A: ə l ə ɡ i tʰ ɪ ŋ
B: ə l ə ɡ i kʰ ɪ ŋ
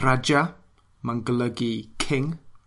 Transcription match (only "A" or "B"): B